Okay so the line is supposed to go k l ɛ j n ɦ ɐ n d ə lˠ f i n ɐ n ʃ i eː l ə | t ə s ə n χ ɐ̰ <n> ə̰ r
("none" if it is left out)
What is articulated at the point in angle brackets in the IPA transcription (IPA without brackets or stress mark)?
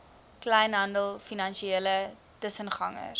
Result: ŋ